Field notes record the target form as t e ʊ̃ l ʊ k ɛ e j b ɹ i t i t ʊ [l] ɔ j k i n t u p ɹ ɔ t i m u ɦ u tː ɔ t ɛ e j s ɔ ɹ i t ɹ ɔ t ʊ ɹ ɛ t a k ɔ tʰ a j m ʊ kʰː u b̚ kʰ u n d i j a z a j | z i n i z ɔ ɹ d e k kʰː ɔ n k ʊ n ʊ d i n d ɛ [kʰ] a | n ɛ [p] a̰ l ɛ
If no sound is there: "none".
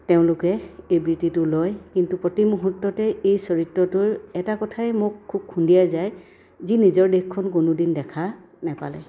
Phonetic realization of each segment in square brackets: l, kʰ, p

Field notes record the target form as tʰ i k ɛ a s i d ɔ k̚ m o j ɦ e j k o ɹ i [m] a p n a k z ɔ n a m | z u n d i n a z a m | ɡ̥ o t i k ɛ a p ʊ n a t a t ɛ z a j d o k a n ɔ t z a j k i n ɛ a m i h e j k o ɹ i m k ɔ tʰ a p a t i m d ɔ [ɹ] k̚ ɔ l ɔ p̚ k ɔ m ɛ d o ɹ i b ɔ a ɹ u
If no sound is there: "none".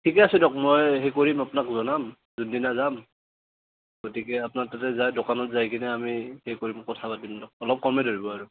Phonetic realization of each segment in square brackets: m, none

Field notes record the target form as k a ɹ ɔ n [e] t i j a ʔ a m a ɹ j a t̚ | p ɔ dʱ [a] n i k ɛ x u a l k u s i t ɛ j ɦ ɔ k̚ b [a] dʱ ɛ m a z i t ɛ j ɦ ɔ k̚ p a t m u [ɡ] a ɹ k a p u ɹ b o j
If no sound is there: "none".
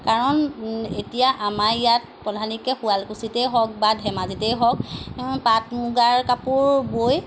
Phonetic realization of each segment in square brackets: e, a, a, ɡ

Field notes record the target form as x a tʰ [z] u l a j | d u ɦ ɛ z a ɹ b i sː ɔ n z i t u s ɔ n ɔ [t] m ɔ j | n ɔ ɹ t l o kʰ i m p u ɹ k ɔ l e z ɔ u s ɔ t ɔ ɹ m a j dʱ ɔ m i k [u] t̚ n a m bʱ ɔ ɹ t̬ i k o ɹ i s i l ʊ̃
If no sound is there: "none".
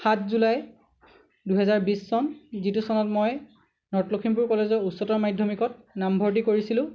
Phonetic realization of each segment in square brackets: z, t, ɔ

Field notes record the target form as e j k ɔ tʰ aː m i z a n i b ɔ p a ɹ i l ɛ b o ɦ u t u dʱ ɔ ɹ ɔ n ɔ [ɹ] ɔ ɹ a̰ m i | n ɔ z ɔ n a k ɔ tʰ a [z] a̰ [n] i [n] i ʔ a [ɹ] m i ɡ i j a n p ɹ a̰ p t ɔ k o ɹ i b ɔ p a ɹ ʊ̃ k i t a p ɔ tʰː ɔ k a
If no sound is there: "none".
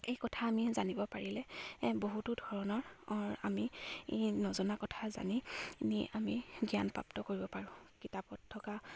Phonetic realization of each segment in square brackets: ɹ, z, n, n, none

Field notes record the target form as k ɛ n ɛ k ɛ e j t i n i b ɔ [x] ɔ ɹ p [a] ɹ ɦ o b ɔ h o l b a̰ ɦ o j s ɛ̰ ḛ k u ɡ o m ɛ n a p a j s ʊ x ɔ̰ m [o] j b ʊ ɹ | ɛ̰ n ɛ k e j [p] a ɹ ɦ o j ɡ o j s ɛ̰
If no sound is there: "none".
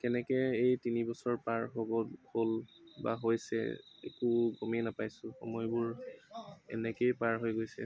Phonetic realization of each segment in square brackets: s, a, ɔ, p

